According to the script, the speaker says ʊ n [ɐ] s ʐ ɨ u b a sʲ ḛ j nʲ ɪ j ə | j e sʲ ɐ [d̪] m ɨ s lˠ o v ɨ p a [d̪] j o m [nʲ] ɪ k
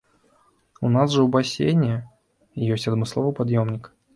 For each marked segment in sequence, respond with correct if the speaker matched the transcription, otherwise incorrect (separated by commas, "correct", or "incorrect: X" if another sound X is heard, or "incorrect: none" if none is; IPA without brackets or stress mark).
incorrect: a, correct, correct, correct